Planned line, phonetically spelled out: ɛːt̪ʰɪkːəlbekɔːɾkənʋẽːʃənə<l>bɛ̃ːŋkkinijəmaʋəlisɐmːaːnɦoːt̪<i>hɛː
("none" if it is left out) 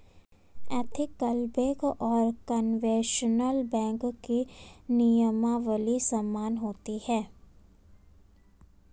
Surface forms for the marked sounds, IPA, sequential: l, i

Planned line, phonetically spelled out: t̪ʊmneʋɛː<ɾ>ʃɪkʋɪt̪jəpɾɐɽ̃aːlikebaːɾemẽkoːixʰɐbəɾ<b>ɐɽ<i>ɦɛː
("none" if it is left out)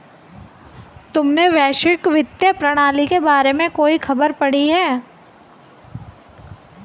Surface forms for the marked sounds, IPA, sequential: none, p, i

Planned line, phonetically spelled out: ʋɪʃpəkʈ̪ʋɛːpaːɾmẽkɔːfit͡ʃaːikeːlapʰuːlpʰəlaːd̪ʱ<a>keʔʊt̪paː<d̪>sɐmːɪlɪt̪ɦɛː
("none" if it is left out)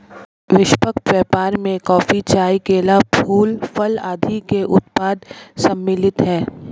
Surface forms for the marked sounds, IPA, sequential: i, d̪

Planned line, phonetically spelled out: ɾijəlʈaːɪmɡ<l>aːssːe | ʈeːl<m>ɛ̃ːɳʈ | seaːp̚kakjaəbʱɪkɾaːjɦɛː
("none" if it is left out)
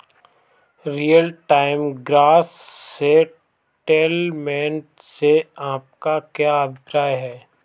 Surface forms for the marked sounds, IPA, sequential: ɾ, m

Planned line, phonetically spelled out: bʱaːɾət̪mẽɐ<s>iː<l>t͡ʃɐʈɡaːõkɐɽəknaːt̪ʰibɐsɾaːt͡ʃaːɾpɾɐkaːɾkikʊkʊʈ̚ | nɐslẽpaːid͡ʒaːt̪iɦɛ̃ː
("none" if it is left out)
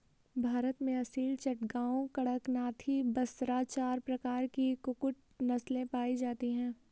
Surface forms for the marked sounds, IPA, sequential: s, l

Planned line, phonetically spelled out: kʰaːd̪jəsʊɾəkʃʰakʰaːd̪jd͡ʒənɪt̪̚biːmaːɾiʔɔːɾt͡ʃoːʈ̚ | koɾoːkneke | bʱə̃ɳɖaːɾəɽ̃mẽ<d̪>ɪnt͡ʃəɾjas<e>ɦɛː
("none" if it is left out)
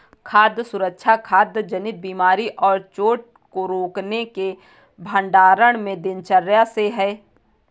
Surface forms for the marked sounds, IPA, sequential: d̪, e

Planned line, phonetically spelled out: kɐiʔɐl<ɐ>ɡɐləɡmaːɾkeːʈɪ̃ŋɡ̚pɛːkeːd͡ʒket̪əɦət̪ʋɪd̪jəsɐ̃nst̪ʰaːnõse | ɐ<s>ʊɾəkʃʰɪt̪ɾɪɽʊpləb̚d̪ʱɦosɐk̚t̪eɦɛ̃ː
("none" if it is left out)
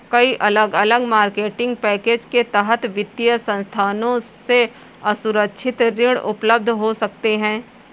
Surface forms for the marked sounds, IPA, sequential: ə, s

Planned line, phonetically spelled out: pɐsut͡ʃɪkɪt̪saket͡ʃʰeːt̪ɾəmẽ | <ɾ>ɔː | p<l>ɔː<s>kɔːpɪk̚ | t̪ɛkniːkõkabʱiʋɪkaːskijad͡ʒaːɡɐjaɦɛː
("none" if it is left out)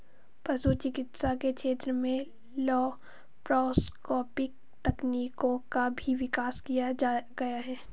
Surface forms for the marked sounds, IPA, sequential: l, ɾ, s

